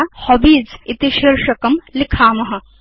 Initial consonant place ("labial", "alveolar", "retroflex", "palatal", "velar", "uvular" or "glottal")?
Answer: glottal